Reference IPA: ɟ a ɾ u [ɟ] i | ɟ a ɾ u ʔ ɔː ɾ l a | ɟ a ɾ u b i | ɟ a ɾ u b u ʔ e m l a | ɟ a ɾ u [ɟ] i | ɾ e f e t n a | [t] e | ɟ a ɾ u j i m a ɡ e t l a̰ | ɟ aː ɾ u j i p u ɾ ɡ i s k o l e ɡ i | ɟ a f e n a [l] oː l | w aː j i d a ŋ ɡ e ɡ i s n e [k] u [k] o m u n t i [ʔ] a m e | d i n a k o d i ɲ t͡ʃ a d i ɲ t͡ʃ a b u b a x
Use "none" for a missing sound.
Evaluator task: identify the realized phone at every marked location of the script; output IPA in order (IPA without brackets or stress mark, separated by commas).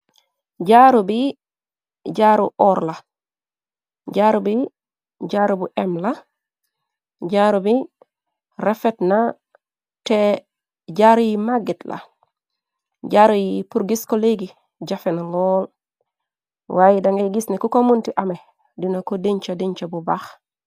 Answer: b, b, t, l, k, k, ʔ